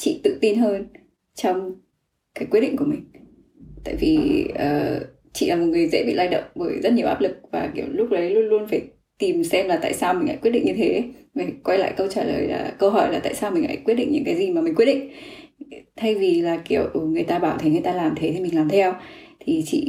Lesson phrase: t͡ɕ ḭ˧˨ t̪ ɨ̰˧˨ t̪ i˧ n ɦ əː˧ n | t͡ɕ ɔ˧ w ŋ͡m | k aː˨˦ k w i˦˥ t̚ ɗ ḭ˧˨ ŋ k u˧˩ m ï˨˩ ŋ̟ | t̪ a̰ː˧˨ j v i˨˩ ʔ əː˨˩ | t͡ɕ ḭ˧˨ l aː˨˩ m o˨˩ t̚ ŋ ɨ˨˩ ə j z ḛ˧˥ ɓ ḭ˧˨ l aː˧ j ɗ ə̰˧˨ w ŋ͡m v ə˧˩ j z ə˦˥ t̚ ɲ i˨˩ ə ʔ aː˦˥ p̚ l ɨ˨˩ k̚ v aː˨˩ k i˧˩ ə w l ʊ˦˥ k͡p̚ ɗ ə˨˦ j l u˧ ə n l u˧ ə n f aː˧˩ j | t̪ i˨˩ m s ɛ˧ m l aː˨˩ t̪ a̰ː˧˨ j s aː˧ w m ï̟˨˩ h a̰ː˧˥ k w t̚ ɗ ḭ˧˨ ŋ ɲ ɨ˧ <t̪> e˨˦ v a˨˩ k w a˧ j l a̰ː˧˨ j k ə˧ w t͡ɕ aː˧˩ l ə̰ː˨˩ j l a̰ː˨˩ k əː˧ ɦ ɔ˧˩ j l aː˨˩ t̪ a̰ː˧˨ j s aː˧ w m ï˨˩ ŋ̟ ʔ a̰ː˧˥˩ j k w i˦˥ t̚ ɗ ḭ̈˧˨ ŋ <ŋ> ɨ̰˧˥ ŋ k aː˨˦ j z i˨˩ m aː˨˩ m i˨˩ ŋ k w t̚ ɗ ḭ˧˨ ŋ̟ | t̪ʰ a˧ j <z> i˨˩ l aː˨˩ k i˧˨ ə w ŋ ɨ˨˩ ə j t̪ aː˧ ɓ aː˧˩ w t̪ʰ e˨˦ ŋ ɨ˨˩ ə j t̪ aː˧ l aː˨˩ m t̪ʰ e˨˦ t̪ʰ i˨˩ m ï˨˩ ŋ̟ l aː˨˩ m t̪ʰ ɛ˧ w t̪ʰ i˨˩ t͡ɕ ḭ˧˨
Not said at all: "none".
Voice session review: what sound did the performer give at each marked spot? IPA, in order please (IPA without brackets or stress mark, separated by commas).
t̪ʰ, ɲ, v